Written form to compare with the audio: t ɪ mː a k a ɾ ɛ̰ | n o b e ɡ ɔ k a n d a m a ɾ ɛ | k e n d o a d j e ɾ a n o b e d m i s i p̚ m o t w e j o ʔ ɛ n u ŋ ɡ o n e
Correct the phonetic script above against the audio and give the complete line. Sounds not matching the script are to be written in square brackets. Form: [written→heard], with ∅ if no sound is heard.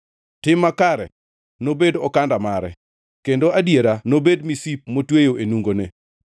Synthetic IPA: t ɪ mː a k a ɾ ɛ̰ | n o b e [ɡ→d] ɔ k a n d a m a ɾ ɛ | k e n d o a d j e ɾ a n o b e d m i s i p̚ m o t w e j o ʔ [ɛ→e] n u ŋ ɡ o n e